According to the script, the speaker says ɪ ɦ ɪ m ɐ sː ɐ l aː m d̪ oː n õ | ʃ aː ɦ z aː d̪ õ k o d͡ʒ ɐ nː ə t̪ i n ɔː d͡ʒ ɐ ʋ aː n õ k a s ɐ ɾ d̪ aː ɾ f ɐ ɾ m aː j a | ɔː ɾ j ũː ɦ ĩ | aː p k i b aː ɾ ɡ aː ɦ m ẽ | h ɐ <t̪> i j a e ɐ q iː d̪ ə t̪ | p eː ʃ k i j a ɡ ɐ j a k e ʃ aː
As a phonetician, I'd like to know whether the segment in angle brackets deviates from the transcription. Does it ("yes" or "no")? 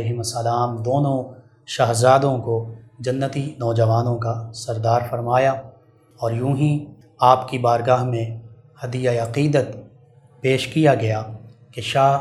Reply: yes